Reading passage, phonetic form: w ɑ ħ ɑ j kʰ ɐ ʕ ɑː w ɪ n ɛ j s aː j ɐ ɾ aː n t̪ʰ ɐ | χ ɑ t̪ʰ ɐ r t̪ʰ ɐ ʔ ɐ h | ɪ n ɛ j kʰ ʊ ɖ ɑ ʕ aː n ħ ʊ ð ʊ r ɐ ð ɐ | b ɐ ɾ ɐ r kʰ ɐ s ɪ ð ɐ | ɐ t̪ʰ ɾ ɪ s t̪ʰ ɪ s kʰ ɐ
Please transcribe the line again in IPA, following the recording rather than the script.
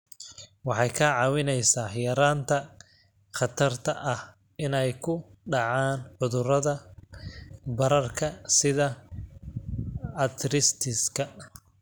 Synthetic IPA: w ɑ ħ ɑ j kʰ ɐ ʕ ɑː w ɪ n ɛ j s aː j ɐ ɾ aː n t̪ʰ ɐ | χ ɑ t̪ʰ ɐ r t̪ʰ ɐ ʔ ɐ h | ɪ n ɛ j kʰ ʊ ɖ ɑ ʕ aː n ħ ʊ ð ʊ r ɐ ð ɐ | b ɐ ɾ ɐ r kʰ ɐ s ɪ ð ɐ | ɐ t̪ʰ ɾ ɪ s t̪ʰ ɪ s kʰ ɐ

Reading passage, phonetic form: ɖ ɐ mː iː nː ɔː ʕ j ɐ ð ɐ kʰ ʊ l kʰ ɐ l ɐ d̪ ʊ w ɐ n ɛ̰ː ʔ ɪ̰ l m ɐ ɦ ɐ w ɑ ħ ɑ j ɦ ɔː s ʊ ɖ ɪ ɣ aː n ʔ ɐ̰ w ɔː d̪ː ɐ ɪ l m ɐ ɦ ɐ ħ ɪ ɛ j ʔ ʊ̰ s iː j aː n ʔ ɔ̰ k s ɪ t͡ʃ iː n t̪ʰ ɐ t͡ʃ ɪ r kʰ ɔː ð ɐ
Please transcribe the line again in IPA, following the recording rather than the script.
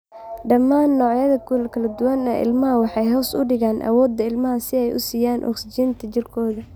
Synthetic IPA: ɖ ɐ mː aː nː ɔː ʕ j ɐ ð ɐ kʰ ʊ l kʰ ɐ l ɐ d̪ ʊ w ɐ n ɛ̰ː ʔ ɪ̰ l m ɐ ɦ ɐ w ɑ ħ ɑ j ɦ ɔː s ʊ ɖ ɪ ɣ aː n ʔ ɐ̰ w ɔː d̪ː ɐ ɪ l m ɐ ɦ ɐ s ɪ ɛ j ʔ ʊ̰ s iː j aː n ʔ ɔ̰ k s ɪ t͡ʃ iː n t̪ʰ ɐ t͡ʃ ɪ r kʰ ɔː ð ɐ

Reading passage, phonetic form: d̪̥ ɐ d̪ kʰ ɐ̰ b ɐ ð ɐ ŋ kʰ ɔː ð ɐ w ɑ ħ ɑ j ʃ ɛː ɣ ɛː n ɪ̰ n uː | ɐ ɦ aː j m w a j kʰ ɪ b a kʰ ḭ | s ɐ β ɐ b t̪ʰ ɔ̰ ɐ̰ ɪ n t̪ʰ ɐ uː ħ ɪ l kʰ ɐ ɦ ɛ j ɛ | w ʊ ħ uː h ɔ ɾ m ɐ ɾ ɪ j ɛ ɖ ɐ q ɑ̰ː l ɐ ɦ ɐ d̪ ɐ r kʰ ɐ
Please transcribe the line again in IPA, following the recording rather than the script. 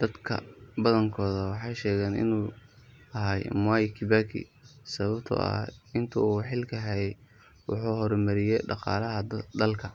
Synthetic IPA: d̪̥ ɐ d̪ kʰ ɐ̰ b ɐ ð ɐ ŋ kʰ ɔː ð ɐ w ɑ ħ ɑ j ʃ ɛː ɣ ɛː n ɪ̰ n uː | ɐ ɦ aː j m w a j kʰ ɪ b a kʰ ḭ | s ɐ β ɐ b t̪ʰ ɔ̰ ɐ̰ ɪ n t̪ʰ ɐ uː ħ ɪ l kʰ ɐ ɦ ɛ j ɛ | w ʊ ħ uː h ɔ ɾ m ɐ ɾ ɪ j ɛ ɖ ɑ q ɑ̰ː l ɐ ɦ ɐ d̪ ɐ l kʰ ɐ

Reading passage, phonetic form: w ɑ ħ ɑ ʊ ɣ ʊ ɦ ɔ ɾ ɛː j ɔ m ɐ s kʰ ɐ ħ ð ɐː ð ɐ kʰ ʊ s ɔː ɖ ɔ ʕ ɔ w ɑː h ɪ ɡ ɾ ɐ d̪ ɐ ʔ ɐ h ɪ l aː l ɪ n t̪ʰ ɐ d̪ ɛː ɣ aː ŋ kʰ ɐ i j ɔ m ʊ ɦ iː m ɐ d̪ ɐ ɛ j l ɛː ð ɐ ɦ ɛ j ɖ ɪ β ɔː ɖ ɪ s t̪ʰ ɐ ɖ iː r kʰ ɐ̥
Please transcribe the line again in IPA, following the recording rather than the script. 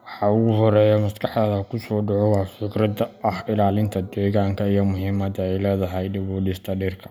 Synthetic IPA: w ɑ ħ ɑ ʊ ɣ ʊ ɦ ɔ ɾ ɛː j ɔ m ɐ s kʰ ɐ ħ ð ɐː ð ɐ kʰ ʊ s ɔː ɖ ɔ ʕ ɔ w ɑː f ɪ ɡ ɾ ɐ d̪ ɐ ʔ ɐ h ɪ l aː l ɪ n t̪ʰ ɐ d̪ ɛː ɣ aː ŋ kʰ ɐ i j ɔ m ʊ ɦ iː m ɐ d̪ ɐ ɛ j l ɛː ð ɐ ɦ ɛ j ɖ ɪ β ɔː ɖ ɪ s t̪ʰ ɐ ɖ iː r kʰ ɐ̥

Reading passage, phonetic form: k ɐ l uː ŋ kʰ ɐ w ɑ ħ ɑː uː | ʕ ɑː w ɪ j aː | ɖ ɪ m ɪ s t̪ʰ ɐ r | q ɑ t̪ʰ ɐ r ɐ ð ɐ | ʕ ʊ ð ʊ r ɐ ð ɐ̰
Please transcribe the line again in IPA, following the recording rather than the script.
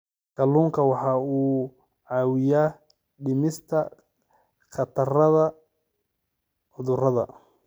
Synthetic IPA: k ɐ l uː ŋ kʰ ɐ w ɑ ħ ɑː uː | ʕ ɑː w ɪ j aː | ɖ ɪ m ɪ s t̪ʰ ɐ | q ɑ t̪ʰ ɐ r ɐ ð ɐ | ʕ ʊ ð ʊ r ɐ ð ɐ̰

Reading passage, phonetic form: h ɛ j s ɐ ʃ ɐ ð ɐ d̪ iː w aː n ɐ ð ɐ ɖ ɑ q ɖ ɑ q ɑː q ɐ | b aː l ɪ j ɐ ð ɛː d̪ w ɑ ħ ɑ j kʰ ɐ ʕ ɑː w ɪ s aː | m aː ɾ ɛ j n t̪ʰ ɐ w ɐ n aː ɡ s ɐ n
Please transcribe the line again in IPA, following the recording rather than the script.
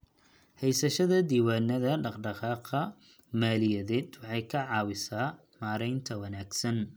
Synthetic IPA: h ɛ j s ɐ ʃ ɐ ð ɐ d̪ iː w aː n ɐ ð ɐ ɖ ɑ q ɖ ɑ q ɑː q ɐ | m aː l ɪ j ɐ ð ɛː d̪ w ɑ ħ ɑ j kʰ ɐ ʕ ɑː w ɪ s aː | m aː ɾ ɛ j n t̪ʰ ɐ w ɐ n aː ɡ s ɐ n

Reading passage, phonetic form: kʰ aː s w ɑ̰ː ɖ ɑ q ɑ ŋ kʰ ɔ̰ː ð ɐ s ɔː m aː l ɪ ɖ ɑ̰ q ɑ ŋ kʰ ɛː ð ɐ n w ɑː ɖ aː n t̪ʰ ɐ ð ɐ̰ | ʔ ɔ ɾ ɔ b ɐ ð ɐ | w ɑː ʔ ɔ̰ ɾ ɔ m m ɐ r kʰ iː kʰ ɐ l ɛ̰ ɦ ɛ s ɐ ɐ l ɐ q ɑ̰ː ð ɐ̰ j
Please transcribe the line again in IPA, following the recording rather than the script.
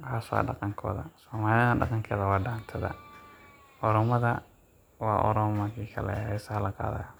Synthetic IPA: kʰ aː s w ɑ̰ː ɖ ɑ q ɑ ŋ kʰ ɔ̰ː ð ɐ s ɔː m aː l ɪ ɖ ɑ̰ q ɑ ŋ kʰ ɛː ð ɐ w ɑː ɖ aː n t̪ʰ ɐ ð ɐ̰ | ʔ ɔ ɾ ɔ m ɐ ð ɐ | w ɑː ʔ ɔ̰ ɾ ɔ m m ɐ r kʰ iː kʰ ɐ l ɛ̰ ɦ ɛ s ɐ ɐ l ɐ q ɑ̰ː ð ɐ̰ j

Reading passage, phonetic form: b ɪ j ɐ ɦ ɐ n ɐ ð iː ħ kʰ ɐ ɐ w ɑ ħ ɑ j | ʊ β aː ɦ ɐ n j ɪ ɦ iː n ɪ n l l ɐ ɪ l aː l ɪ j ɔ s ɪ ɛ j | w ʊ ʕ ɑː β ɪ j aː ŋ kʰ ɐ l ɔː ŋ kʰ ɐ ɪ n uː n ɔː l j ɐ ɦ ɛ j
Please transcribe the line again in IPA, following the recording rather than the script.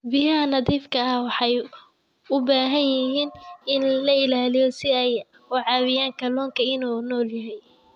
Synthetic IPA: b ɪ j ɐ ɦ ɐ n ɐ ð iː f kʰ ɐ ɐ w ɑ ħ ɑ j | ʊ b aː ɦ ɐ n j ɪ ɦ iː n ɪ n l l ɐ ɪ l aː l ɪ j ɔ s ɪ ɛ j | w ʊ ʕ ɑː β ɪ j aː ŋ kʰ ɐ l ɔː ŋ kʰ ɐ ɪ n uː n ɔː l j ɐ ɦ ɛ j

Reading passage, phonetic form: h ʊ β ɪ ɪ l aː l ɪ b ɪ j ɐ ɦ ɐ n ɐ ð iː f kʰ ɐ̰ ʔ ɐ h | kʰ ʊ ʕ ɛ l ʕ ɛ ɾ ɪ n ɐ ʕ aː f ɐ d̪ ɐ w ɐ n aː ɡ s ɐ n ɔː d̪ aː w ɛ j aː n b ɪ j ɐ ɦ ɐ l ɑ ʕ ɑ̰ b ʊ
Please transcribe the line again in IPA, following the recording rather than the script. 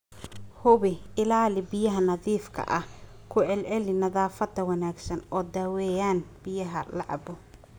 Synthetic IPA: h ʊ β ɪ ɪ l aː l ɪ b ɪ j ɐ ɦ ɐ n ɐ ð iː f kʰ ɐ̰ ʔ ɐ h | kʰ ʊ ʕ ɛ l ʕ ɛ l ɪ n ɐ ð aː f ɐ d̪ ɐ w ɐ n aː ɡ s ɐ n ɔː d̪ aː w ɛ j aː n b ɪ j ɐ ɦ ɐ l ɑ ʕ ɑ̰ b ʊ

